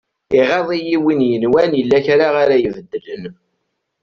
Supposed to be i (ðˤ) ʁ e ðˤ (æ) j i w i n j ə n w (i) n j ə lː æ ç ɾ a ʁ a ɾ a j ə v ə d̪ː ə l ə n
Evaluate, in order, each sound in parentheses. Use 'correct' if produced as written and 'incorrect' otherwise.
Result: incorrect, incorrect, incorrect

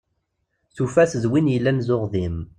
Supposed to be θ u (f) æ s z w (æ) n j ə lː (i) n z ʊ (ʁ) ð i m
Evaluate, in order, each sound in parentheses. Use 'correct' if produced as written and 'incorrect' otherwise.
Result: correct, incorrect, incorrect, correct

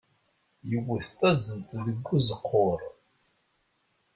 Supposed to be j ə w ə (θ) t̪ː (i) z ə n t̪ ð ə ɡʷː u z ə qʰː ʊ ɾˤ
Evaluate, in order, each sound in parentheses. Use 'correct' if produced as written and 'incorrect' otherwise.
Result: correct, incorrect

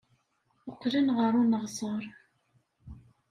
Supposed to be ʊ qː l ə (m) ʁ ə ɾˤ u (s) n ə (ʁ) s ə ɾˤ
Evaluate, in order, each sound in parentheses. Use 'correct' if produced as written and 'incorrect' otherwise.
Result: incorrect, incorrect, correct

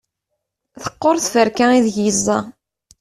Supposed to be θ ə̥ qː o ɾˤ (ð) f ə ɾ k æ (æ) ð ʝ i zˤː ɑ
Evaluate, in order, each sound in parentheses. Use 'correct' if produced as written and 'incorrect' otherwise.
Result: incorrect, incorrect

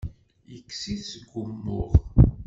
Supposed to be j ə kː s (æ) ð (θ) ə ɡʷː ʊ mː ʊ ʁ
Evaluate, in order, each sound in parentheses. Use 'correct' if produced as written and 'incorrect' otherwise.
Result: incorrect, incorrect

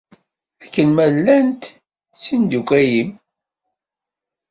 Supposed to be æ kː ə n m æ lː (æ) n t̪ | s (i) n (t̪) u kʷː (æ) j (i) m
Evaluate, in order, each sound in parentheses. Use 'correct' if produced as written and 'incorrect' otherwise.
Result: correct, correct, incorrect, correct, correct

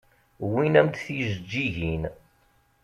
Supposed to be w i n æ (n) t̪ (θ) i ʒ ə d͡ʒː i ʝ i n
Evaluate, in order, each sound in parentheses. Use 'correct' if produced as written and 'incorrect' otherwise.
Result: incorrect, correct

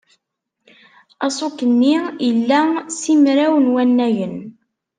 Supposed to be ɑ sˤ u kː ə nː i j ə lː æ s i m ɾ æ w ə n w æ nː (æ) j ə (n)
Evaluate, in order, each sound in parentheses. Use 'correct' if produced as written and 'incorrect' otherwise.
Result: correct, correct

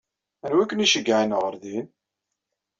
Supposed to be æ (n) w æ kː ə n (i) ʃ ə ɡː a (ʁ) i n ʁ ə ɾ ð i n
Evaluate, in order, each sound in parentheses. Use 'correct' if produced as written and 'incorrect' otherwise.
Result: correct, correct, incorrect

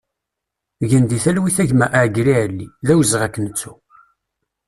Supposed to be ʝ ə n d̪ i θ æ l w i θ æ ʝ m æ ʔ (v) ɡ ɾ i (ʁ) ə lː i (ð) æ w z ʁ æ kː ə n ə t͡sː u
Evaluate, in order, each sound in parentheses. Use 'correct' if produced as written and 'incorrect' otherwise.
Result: incorrect, incorrect, correct

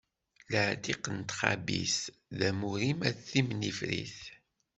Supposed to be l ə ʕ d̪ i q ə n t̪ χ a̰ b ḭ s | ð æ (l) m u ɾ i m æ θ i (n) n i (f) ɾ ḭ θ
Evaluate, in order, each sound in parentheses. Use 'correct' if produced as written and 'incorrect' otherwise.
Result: incorrect, incorrect, correct

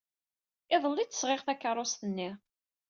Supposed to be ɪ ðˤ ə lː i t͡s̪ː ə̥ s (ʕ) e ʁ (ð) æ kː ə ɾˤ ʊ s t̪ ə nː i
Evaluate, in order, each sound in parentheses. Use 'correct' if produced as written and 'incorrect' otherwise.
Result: incorrect, incorrect

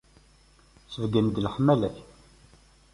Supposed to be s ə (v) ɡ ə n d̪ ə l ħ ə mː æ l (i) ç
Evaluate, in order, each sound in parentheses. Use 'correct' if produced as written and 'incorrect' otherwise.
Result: correct, incorrect

